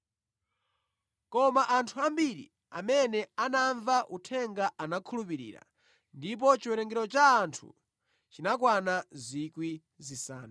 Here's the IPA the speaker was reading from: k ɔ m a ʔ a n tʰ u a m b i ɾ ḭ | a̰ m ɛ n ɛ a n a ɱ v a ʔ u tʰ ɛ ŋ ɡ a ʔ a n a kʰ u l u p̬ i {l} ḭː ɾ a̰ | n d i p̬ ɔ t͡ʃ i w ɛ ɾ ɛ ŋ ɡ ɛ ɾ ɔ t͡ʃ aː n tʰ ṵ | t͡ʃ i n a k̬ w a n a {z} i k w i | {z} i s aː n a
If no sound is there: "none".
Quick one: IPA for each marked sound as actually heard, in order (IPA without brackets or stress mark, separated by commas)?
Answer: ɾ, z, z